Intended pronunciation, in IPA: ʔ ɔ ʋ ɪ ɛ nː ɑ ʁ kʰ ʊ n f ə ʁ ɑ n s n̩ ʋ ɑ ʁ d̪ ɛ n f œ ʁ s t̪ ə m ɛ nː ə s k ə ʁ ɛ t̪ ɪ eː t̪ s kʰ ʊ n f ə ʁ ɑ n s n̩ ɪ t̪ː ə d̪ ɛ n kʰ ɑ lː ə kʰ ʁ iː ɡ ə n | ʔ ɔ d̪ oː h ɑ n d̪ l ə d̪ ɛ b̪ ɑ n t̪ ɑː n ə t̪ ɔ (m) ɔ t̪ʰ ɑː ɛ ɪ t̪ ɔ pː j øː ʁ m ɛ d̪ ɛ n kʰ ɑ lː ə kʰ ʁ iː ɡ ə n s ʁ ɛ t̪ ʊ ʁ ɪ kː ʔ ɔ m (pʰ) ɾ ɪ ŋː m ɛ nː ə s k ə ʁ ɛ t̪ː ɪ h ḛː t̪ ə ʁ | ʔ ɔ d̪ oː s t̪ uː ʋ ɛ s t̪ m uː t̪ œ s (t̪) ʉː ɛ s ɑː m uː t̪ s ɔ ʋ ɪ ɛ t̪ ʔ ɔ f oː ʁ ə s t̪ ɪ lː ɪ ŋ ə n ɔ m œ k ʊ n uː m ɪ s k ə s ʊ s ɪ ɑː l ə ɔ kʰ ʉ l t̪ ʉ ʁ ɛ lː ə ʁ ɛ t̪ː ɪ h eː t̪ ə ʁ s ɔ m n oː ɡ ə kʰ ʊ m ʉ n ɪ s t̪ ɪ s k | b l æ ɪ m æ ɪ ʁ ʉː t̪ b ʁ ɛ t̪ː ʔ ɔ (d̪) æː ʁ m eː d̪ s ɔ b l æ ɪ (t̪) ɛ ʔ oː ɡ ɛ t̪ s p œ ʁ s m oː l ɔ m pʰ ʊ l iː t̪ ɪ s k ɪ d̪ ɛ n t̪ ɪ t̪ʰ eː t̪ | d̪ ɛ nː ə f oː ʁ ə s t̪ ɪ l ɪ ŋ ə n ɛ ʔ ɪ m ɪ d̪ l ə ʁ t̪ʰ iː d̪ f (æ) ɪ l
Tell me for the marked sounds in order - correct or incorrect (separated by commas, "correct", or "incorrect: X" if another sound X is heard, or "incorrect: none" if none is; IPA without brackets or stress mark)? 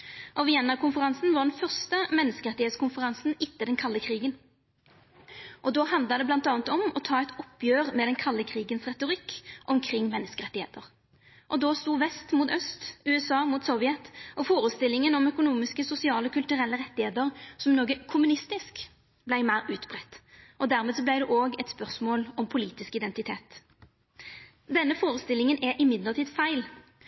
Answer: correct, incorrect: kʰ, correct, correct, incorrect: d̪, correct